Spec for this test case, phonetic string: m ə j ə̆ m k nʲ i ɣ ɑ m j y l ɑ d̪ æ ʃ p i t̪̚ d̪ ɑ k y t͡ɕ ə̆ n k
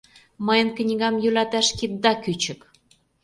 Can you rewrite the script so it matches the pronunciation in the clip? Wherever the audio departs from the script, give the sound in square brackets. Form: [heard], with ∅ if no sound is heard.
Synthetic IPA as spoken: m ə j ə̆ [n] k nʲ i ɣ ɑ m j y l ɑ [t̪] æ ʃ [k] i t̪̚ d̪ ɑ k y t͡ɕ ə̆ [∅] k